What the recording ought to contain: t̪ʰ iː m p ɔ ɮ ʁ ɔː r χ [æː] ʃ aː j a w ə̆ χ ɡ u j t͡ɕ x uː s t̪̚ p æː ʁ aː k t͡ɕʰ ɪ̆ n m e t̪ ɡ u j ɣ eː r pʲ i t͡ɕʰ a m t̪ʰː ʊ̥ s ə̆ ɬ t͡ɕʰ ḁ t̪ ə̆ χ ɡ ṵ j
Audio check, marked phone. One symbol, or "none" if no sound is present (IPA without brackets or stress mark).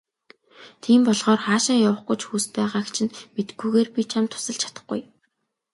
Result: aː